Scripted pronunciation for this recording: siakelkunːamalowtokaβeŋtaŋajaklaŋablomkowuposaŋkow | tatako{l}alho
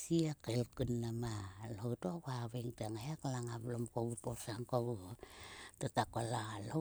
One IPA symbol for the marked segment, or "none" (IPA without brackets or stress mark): l